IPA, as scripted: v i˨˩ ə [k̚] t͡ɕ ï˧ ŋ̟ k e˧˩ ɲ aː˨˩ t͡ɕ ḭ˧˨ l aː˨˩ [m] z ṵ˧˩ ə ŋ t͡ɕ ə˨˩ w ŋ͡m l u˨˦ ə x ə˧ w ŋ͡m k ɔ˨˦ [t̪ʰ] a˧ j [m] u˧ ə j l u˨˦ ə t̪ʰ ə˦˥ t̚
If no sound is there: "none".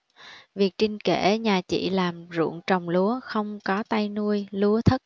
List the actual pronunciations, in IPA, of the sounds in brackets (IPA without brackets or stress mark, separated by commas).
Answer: k̚, m, t̪, n